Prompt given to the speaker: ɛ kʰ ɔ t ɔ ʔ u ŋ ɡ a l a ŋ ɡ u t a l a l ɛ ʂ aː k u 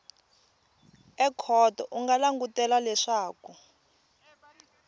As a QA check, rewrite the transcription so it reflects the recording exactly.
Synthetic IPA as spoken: ɛ kʰ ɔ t ɔ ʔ u ŋ ɡ a l a ŋ ɡ u t ɛ l a l ɛ ʂ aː k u